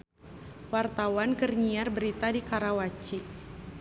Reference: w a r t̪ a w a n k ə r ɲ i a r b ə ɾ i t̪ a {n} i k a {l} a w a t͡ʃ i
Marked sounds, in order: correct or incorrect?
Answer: incorrect: d, incorrect: ɾ

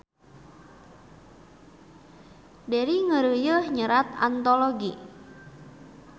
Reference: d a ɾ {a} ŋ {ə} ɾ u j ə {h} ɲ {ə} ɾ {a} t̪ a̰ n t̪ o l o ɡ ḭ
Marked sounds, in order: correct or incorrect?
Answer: incorrect: i, correct, correct, correct, correct

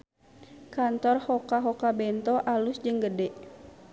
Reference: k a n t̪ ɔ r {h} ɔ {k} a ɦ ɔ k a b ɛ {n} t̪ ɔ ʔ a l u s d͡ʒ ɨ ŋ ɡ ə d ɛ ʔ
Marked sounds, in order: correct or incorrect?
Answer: correct, correct, correct

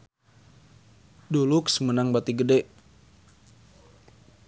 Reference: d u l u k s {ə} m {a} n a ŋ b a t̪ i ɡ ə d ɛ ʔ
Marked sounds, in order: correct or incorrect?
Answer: correct, incorrect: ə

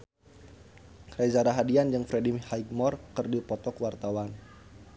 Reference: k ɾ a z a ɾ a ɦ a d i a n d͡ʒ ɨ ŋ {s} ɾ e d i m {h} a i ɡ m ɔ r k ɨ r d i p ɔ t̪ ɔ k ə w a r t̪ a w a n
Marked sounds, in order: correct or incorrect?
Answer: incorrect: f, correct

